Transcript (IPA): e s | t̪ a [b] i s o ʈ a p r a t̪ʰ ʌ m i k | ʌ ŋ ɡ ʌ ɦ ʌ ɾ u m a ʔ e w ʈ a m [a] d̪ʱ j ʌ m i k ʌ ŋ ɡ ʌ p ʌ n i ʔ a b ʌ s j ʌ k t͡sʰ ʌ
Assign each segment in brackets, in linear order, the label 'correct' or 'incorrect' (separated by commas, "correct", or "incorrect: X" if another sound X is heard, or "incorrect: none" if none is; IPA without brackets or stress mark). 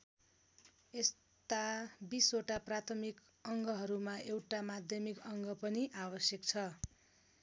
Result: correct, correct